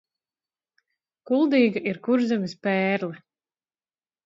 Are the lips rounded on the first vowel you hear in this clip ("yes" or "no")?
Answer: yes